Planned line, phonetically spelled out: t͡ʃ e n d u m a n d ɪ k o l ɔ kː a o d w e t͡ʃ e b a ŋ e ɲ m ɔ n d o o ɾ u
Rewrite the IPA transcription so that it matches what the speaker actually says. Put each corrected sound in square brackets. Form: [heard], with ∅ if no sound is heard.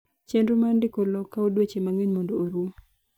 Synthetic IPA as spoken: t͡ʃ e n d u m a n d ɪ k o l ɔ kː a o d w e t͡ʃ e [m] a ŋ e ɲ m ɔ n d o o ɾ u

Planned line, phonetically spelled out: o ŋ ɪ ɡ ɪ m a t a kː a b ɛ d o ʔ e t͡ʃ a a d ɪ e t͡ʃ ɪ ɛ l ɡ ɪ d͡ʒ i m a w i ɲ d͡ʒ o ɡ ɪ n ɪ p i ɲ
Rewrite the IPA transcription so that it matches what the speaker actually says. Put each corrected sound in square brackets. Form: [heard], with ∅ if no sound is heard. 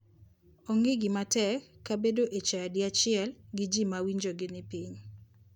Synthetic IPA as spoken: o ŋ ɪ ɡ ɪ m a t [ɛ] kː a b [e] d o ʔ e t͡ʃ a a d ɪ [a] t͡ʃ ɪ ɛ l ɡ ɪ d͡ʒ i m a w i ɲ d͡ʒ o ɡ ɪ n ɪ p i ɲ

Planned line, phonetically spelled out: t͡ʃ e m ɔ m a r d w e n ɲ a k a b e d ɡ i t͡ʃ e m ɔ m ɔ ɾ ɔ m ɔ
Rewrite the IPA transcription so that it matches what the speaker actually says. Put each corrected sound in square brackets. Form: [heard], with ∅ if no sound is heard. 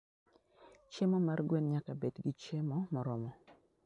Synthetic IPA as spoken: t͡ʃ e m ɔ m a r [ɡ] w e n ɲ a k a b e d ɡ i t͡ʃ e m ɔ m ɔ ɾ ɔ m ɔ

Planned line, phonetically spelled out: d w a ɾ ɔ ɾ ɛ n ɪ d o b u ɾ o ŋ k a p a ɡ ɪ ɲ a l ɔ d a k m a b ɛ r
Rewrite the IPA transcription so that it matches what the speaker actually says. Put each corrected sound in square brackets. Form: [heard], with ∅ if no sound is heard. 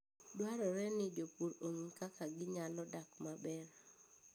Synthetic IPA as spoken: d w a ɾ ɔ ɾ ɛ n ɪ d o [p] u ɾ o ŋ k a [k] a ɡ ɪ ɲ a l ɔ d a k m a b ɛ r

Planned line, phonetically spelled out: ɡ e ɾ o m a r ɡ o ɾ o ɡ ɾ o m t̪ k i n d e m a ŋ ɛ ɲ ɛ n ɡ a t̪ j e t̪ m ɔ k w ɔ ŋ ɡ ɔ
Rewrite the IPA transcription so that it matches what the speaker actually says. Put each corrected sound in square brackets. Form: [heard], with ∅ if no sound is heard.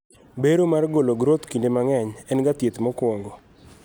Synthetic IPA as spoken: [b] e ɾ o m a r ɡ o [l] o ɡ ɾ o [∅] t̪ k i n d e m a ŋ ɛ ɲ ɛ n ɡ a t̪ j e t̪ m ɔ k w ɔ ŋ ɡ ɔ

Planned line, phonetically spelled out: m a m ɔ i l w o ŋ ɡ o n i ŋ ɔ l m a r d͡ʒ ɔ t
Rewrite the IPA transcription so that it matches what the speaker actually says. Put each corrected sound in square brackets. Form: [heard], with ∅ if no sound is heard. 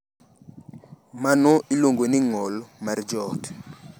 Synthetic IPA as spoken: m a [n] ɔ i l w o ŋ ɡ o n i ŋ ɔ l m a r d͡ʒ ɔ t

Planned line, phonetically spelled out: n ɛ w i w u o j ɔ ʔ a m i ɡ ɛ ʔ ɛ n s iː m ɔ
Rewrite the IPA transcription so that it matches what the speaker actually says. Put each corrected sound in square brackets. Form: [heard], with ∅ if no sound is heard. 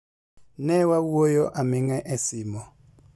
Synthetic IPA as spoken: n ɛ w [a] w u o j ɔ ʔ a m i [ŋ] ɛ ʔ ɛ [∅] s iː m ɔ

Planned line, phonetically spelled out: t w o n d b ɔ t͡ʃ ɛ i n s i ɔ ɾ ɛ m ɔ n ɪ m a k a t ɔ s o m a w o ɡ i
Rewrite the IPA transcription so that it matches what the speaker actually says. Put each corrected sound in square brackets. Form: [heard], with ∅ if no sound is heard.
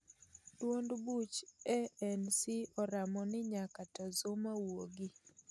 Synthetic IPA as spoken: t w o n d b [u] t͡ʃ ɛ [ɛ] n s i ɔ ɾ [a] m ɔ n ɪ [ɲ] a k a t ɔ [z] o m a w o ɡ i

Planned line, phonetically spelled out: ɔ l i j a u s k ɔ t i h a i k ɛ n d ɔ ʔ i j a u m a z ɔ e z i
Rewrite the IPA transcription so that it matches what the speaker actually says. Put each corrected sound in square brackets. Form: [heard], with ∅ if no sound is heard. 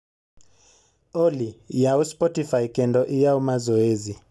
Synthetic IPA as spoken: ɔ l i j a u s [p] ɔ t i [f] a i k ɛ n d ɔ ʔ i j a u m a z ɔ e z i

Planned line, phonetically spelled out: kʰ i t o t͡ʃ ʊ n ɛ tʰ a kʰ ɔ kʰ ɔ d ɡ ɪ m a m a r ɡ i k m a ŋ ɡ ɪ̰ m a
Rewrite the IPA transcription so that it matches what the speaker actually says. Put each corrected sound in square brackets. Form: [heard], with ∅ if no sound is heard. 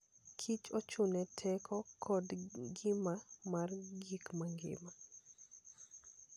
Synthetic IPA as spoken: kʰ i [t͡ʃ] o t͡ʃ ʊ n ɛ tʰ [ɛ] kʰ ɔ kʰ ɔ d ɡ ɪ m a m a r ɡ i k m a ŋ ɡ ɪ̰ m a

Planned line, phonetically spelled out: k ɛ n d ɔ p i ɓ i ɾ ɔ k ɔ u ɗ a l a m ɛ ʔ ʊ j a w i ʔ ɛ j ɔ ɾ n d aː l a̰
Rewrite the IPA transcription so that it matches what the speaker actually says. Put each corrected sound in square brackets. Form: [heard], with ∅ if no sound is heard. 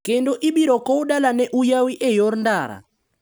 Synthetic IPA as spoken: k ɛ n d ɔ [ʔ] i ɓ i ɾ ɔ k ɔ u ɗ a l a [n] ɛ ʔ [u] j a w i ʔ ɛ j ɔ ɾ n d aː [ɾ] a̰

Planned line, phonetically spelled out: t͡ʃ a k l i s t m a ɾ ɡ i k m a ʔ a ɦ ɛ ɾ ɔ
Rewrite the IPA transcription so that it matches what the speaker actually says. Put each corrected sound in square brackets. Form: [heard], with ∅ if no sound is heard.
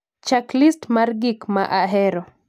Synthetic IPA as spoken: t͡ʃ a k l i s t m a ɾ ɡ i k m a ʔ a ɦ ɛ ɾ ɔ

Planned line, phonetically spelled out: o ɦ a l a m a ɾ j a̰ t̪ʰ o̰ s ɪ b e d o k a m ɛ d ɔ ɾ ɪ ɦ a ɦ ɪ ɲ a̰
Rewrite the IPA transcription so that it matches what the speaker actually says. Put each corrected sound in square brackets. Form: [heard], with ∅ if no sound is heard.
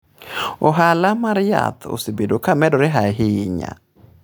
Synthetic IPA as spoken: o ɦ a l a m a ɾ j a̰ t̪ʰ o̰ s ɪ b e d o k a m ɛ d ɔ ɾ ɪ ɦ a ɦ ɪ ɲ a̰

